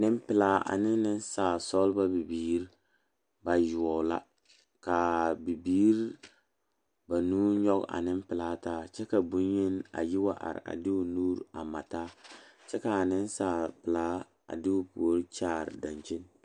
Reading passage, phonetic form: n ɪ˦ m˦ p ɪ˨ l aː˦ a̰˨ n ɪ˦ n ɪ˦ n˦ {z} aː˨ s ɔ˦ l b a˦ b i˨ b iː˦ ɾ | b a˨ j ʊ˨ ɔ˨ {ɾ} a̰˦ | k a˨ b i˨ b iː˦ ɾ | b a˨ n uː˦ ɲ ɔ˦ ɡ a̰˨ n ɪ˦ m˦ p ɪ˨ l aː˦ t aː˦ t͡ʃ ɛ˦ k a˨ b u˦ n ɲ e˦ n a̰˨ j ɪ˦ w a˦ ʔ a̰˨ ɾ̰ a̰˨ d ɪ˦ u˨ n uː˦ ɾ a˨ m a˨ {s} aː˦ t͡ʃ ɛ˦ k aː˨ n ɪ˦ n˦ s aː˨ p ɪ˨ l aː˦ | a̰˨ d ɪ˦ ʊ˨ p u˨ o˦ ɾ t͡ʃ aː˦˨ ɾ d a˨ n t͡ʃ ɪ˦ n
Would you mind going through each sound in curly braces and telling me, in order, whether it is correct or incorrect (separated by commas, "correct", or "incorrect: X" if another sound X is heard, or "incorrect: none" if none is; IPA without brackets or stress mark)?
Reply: incorrect: s, incorrect: l, incorrect: t